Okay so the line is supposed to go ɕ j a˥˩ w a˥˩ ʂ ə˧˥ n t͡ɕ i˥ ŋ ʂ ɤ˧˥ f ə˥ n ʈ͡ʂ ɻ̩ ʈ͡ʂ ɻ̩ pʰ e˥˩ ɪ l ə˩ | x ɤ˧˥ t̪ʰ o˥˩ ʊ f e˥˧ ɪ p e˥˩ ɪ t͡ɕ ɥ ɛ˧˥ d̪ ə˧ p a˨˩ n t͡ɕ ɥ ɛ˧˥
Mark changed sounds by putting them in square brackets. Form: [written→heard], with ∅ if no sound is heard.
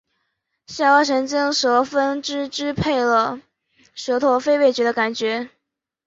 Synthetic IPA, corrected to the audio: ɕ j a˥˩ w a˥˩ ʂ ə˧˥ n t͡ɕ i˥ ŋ ʂ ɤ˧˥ f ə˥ n ʈ͡ʂ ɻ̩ ʈ͡ʂ ɻ̩ pʰ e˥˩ ɪ l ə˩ | [x→ʂ] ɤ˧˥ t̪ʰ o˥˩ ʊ f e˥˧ ɪ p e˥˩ ɪ t͡ɕ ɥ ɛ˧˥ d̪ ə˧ [p→k] a˨˩ n t͡ɕ ɥ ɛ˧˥